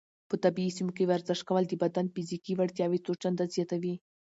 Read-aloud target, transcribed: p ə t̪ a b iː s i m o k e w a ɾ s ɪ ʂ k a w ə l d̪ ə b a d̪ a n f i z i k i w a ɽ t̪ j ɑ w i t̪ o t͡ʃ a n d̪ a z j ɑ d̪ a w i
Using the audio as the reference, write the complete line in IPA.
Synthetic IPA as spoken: p ə t̪ a b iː s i m o k e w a ɾ z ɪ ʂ k a w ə l d̪ ə b a d̪ a n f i z i k i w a ɽ t̪ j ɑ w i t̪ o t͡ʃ a n d̪ a z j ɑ t̪ a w i